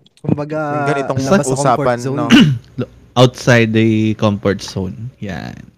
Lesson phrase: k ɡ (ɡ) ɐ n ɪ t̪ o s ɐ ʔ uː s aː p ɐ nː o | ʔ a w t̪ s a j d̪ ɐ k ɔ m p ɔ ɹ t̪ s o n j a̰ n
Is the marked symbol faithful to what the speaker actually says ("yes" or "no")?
yes